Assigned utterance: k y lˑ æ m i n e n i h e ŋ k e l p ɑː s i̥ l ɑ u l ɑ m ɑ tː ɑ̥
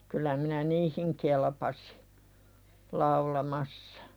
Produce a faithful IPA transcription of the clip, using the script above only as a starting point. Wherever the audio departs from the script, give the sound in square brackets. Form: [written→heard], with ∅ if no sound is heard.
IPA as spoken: k y lˑ æ m i n [e→æ] n [i→iː] h [e→i] ŋ k e l p [ɑː→ɑ] s i̥ l ɑ u l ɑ m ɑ [tː→sː] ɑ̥